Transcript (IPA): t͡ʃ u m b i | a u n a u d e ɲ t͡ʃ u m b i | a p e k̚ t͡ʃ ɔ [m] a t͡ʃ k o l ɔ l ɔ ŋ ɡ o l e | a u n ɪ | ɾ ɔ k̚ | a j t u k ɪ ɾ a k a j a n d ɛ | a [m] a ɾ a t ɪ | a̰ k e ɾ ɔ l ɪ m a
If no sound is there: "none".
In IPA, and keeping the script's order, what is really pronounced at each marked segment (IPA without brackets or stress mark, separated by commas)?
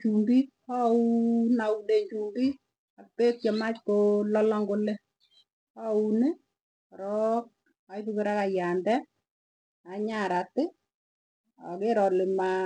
m, ɲ